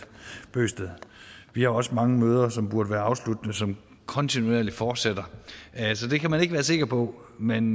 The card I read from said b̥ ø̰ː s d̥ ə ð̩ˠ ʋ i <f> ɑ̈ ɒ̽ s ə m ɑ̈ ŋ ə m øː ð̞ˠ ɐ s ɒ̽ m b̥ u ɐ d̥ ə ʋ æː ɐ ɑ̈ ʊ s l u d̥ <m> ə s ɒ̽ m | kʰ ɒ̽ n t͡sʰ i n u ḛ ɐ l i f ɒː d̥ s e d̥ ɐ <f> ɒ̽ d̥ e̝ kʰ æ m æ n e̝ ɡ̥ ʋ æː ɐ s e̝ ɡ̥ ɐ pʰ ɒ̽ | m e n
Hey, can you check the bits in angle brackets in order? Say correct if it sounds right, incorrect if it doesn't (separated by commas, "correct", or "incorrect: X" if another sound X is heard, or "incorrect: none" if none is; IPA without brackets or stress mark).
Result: incorrect: h, incorrect: n, incorrect: s